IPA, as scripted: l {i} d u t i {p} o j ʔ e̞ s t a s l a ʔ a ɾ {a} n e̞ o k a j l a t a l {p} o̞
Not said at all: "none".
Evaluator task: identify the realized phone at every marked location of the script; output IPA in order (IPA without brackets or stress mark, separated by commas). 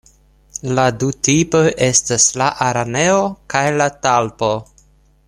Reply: a, p, a, p